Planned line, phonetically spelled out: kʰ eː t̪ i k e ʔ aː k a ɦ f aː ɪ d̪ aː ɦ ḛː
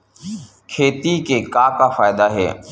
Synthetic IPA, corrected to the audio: kʰ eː t̪ i k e k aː k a f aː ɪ d̪ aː ɦ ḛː

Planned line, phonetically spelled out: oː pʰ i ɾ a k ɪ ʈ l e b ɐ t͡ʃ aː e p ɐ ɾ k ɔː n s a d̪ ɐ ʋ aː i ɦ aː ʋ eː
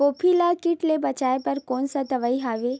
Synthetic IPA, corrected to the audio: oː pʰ i l a k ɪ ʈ l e b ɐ t͡ʃ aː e p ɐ ɾ k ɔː n s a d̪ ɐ ʋ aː i ɦ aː ʋ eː

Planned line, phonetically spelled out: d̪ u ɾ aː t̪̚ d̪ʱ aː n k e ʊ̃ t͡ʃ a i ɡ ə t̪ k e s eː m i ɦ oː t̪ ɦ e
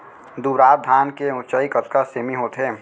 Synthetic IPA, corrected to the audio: d̪ u ɾ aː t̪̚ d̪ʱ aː n k e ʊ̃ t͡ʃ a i k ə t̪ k a s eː m i ɦ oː t̪ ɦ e

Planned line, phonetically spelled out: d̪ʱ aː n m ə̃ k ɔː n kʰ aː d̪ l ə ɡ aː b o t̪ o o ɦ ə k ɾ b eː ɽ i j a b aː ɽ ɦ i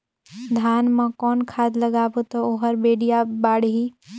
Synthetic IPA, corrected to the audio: d̪ʱ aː n m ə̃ k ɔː n kʰ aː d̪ l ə ɡ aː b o t̪ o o ɦ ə ɾ b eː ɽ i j a b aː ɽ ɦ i

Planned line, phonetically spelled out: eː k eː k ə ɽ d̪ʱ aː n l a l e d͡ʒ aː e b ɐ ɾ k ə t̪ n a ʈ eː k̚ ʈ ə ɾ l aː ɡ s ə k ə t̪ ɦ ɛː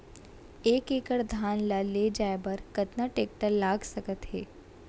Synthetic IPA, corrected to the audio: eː k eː k ə ɽ d̪ʱ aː n l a l e d͡ʒ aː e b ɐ ɾ k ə t̪ n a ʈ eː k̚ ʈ ə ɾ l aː ɡ s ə k ə t̪ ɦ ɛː

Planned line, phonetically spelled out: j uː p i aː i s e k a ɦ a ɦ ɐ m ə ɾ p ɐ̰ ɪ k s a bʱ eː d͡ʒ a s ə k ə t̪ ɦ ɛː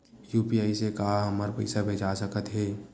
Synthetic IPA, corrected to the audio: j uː p i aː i s e k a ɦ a ɦ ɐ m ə ɾ p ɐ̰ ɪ s a bʱ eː d͡ʒ a s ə k ə t̪ ɦ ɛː

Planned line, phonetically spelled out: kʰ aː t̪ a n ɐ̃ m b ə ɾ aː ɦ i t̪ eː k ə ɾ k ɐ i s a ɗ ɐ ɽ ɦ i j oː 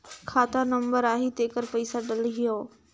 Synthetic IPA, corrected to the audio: kʰ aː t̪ a n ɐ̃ m b ə ɾ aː ɦ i t̪ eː k ə ɾ p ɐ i s a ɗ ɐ l ɦ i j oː

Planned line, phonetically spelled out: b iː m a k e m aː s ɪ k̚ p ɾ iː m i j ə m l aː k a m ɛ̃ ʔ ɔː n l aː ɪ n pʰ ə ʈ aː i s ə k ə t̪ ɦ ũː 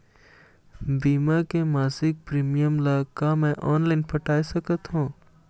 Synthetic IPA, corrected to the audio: b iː m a k e m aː s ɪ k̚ p ɾ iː m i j ə m l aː k a m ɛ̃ ʔ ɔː n l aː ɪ n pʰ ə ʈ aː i s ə k ə t̪ ɦ ũː

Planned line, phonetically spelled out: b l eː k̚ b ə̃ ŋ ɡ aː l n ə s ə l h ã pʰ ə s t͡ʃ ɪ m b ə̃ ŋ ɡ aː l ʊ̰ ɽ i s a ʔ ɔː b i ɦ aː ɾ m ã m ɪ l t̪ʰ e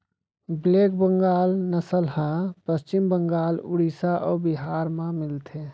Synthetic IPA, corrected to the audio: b l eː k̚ b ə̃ ŋ ɡ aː l n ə s ə l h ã p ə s t͡ʃ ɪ m b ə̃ ŋ ɡ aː l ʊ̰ ɽ i s a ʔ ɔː b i ɦ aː ɾ m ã m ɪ l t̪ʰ e

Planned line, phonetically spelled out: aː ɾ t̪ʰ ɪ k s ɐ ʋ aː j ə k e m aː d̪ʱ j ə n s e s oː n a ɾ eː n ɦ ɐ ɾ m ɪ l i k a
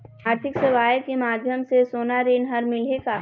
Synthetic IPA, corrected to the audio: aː ɾ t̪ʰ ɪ k s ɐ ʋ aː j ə k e m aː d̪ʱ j ə m s e s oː n a ɾ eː n ɦ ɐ ɾ m ɪ l e k a

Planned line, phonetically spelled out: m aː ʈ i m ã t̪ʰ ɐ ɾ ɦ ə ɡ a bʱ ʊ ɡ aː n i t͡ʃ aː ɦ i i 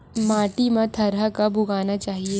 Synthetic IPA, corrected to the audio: m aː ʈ i m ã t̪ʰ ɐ ɾ ɦ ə k a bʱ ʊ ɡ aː n a t͡ʃ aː ɦ i e

